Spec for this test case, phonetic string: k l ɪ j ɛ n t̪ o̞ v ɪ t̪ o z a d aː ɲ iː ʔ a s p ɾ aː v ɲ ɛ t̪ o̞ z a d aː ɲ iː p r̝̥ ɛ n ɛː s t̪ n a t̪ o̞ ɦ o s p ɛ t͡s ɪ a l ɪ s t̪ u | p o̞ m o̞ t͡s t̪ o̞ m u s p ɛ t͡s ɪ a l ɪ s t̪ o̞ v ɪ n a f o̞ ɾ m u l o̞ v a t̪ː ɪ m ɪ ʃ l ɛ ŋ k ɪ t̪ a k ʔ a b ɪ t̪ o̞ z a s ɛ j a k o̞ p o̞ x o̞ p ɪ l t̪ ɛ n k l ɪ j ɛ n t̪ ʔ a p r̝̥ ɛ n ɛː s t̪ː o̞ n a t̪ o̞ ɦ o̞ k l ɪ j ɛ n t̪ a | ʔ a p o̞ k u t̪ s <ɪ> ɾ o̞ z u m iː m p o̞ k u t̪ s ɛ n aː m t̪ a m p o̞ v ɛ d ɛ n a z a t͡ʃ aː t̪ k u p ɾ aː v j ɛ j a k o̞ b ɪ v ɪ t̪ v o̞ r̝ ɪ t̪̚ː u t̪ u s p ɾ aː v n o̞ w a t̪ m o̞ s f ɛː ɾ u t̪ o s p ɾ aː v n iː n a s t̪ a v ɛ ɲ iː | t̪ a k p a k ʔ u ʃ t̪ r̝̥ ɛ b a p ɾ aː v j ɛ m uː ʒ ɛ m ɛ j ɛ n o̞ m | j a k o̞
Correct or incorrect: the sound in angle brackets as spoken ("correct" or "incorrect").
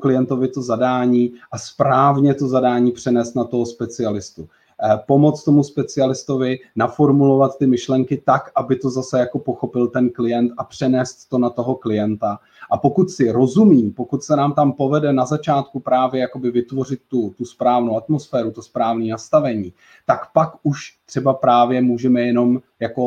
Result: correct